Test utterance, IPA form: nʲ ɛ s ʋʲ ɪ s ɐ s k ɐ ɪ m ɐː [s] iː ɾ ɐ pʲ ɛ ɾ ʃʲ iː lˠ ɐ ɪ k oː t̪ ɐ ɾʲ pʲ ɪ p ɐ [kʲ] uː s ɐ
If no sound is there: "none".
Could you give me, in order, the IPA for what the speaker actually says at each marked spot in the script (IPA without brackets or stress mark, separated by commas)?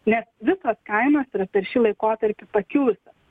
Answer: s, kʲ